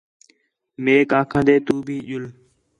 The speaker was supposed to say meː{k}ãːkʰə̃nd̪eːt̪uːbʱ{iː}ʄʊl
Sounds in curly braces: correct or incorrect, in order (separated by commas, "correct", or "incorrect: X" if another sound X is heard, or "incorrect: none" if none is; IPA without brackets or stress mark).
correct, correct